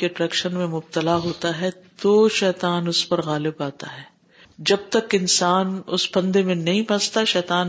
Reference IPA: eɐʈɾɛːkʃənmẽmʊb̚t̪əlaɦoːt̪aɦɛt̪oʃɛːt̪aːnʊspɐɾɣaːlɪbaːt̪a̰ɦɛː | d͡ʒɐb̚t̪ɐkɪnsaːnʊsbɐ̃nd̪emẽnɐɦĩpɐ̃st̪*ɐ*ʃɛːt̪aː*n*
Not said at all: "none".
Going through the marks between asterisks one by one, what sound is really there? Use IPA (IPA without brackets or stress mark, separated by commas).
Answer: a, n